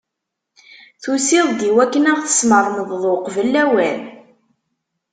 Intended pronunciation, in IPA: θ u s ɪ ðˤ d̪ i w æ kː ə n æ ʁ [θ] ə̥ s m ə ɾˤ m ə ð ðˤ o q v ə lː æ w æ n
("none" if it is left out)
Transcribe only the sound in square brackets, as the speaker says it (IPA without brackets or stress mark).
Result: θ